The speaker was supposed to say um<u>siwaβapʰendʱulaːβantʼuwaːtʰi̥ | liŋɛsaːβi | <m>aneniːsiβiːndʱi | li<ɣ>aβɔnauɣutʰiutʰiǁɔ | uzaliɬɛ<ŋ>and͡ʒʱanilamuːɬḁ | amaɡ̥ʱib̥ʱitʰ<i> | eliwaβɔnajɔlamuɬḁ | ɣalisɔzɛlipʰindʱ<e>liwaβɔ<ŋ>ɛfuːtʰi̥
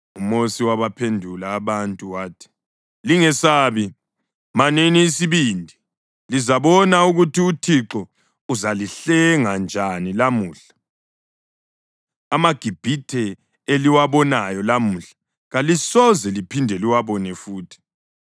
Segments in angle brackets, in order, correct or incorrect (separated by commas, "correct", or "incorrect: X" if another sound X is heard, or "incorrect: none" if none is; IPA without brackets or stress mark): incorrect: o, correct, incorrect: z, correct, incorrect: ɛ, incorrect: ɛ, incorrect: n